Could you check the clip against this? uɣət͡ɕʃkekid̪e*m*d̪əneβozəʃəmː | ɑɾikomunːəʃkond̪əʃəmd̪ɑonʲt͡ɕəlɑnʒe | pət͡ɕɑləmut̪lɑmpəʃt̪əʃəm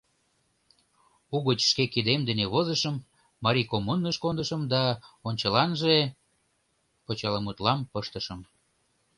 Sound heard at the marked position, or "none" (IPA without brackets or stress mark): m